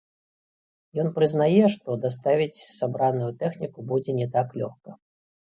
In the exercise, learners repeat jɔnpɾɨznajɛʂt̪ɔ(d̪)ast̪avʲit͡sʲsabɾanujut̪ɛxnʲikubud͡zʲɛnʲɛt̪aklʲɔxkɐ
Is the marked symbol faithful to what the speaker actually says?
yes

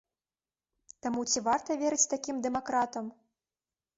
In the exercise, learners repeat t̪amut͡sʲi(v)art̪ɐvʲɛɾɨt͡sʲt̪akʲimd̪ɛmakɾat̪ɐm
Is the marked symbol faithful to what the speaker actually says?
yes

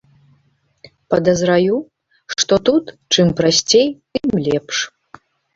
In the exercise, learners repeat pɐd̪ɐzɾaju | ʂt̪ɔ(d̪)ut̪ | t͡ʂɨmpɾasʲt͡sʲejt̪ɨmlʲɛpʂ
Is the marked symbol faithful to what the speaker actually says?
no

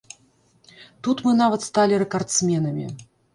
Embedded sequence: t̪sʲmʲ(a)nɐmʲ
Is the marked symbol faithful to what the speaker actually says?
no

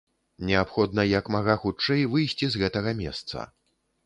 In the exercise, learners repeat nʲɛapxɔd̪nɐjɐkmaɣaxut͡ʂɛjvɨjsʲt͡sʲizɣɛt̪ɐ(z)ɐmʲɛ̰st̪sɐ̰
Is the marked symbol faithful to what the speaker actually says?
no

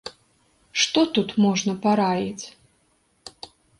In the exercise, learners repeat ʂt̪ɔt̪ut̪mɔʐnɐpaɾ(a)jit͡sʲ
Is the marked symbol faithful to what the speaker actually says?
yes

